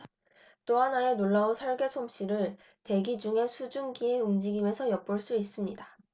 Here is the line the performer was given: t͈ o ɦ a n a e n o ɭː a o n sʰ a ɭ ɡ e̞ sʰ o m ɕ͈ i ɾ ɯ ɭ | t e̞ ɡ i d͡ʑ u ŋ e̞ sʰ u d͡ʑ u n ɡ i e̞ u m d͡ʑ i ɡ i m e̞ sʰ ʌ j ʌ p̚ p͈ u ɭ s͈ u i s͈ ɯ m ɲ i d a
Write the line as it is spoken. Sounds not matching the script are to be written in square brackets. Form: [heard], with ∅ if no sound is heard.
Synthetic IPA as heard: t͈ o ɦ a n a e n o ɭː a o n sʰ [ʌ] ɭ ɡ e̞ sʰ o m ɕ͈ i ɾ ɯ ɭ | t e̞ ɡ i d͡ʑ u ŋ e̞ sʰ u d͡ʑ u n ɡ i e̞ u m d͡ʑ i ɡ i m e̞ sʰ ʌ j ʌ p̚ p͈ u ɭ s͈ u i s͈ ɯ m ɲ i d a